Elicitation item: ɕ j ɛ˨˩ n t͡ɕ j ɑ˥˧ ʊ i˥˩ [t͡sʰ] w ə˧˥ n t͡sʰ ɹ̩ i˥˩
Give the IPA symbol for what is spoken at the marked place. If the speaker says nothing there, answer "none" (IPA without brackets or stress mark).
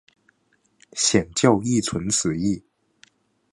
t͡sʰ